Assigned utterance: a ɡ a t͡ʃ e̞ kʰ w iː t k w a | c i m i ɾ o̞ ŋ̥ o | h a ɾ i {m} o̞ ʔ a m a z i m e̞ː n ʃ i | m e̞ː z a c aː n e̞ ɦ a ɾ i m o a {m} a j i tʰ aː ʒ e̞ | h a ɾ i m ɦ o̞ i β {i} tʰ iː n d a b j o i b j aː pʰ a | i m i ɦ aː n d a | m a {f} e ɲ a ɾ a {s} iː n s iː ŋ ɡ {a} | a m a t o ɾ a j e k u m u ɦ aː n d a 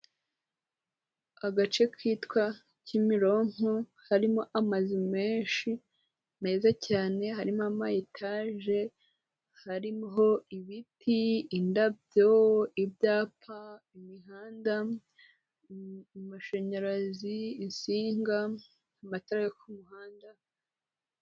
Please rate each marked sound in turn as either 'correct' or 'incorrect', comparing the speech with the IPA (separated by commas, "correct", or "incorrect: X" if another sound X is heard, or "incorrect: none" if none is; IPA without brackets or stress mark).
correct, correct, correct, incorrect: ʃ, incorrect: z, correct